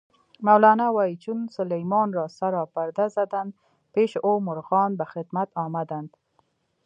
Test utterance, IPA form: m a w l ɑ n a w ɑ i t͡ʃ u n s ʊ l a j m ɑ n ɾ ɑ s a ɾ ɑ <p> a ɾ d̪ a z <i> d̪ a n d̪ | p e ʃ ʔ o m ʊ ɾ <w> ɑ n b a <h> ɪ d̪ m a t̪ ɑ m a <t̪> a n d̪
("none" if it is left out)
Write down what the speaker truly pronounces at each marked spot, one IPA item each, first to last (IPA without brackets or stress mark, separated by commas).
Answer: p, a, ɣ, x, d̪